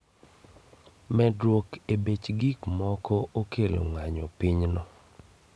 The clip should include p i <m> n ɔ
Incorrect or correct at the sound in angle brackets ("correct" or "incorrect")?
incorrect